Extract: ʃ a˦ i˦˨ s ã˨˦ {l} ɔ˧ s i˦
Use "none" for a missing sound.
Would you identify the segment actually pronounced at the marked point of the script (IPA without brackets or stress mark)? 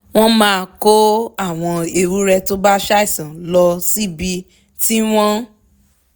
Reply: l